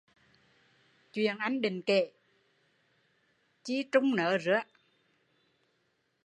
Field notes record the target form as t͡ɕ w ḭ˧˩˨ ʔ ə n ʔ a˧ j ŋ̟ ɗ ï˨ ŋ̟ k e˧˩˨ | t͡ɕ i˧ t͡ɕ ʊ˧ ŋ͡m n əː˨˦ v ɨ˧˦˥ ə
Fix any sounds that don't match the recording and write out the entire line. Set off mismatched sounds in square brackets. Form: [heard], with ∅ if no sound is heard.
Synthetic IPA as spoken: t͡ɕ w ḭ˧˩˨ [∅] ə n ʔ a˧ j ŋ̟ ɗ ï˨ ŋ̟ k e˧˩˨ | t͡ɕ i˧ t͡ɕ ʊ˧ ŋ͡m n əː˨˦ [z] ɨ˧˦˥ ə